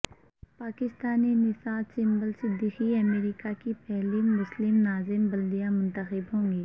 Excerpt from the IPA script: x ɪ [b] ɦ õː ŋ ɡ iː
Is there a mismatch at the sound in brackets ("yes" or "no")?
no